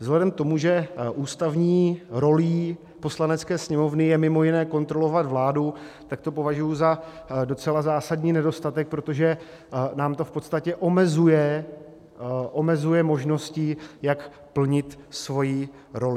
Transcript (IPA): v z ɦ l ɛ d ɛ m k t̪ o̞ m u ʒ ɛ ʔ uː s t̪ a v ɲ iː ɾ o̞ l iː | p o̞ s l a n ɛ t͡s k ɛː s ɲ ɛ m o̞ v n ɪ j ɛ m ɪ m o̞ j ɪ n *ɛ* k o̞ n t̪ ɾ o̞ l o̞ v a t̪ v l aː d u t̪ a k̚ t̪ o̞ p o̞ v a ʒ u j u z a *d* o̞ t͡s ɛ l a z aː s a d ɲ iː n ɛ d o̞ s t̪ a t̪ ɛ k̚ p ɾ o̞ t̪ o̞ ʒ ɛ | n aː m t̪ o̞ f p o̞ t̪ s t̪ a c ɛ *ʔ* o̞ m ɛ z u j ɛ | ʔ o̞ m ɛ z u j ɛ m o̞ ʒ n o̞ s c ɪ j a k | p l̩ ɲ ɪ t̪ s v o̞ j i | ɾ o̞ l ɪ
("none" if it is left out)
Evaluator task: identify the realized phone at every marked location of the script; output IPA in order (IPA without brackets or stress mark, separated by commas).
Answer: ɛː, d, ʔ